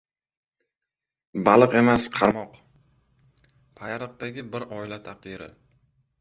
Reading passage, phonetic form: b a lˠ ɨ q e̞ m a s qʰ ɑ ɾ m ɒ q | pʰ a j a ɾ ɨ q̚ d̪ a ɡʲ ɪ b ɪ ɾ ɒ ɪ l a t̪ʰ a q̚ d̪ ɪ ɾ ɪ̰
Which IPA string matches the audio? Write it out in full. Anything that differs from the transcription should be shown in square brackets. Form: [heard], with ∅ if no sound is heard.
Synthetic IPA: b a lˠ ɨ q e̞ m a s qʰ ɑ ɾ m ɒ q | pʰ a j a ɾ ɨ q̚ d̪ a ɡʲ ɪ b ɪ ɾ ɒ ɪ l a t̪ʰ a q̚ d̪ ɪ ɾ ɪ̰